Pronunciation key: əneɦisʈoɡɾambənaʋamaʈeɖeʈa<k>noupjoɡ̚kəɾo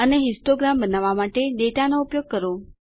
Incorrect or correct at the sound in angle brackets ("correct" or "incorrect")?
incorrect